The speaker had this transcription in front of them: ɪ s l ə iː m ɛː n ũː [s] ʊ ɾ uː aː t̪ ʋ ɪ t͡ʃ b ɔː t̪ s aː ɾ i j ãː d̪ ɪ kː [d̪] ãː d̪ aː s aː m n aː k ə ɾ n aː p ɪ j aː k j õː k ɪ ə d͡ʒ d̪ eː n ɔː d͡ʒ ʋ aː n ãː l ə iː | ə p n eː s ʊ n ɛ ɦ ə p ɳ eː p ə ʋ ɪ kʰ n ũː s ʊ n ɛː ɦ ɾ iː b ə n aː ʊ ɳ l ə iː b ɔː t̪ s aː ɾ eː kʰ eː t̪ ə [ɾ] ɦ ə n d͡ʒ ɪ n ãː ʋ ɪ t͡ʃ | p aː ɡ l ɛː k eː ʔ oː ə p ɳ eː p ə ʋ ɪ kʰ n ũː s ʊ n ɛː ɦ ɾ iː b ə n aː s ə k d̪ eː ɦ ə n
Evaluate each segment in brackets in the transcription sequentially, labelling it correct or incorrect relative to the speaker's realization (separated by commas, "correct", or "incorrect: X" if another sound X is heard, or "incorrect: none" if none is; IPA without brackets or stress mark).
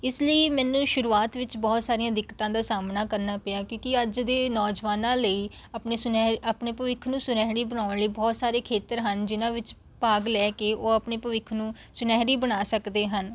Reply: incorrect: ʃ, incorrect: t̪, correct